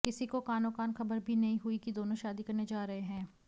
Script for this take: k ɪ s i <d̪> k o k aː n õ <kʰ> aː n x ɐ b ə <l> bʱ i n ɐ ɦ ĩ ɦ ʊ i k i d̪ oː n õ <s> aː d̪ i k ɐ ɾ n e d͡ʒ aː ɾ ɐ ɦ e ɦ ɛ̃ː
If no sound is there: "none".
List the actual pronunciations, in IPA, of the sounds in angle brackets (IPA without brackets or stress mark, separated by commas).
none, k, ɾ, ʃ